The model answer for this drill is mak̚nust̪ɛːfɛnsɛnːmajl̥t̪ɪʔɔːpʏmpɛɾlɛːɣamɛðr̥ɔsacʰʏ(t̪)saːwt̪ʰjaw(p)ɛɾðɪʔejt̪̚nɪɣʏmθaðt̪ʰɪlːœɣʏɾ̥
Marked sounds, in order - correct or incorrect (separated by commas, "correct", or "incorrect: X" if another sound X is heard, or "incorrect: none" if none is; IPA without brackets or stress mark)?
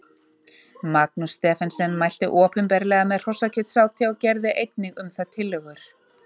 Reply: correct, incorrect: c